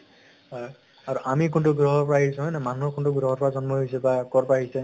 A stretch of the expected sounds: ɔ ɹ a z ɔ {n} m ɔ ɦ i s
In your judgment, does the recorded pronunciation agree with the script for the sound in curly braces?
yes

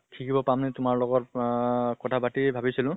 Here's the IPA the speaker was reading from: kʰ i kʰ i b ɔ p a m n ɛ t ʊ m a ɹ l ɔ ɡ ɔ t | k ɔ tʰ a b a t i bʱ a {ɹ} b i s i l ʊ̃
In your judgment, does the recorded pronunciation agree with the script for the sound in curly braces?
no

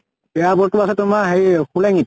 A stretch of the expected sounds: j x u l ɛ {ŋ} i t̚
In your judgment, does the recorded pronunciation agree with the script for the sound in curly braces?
yes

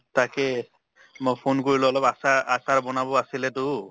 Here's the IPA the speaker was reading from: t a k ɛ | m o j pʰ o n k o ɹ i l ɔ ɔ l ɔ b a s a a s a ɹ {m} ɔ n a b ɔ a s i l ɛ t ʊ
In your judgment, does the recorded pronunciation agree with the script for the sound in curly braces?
no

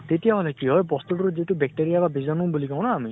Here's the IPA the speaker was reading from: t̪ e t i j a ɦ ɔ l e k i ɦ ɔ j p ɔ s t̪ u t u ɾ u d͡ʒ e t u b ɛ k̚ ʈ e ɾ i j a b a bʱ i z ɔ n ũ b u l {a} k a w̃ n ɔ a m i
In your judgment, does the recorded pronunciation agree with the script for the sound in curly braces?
no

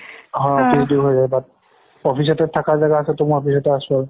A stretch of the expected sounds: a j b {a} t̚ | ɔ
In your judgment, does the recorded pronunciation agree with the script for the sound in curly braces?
yes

